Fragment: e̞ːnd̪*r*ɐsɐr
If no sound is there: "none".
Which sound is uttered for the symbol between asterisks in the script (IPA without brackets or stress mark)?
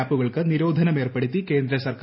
ɾ